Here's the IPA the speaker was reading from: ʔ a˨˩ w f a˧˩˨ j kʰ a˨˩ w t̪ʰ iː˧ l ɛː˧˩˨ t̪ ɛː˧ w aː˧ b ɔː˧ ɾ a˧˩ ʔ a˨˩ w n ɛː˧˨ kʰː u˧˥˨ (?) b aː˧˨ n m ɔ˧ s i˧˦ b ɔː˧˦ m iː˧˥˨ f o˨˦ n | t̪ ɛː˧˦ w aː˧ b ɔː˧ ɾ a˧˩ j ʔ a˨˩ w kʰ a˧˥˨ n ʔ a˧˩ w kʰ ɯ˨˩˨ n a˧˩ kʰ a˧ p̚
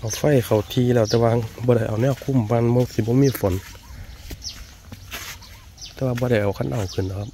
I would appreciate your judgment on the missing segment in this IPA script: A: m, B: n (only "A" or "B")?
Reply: A